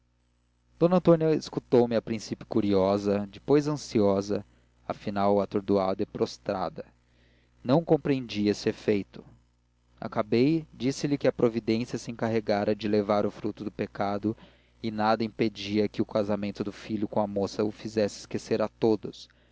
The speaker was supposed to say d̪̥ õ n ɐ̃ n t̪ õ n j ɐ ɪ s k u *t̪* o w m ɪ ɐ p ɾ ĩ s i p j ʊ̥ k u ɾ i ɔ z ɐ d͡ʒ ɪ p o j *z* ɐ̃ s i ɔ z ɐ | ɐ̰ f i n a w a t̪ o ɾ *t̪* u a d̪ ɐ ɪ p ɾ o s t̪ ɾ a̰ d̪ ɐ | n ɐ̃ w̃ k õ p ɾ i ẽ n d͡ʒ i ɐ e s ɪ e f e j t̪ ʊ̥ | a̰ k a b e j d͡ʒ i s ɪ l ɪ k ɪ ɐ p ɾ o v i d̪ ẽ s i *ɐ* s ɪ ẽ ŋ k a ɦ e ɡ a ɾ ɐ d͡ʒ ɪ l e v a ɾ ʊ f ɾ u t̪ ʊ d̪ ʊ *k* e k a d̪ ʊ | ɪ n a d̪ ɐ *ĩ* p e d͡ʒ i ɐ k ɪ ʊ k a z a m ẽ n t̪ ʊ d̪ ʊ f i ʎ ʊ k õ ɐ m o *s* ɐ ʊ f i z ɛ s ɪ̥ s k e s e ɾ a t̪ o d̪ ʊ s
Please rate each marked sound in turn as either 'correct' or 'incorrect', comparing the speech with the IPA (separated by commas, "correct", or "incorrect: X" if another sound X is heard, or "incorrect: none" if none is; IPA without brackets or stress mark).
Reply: correct, correct, incorrect: d̪, correct, incorrect: p, correct, correct